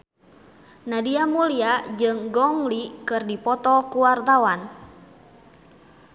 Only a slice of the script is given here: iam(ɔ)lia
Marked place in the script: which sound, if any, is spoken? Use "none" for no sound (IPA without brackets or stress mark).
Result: u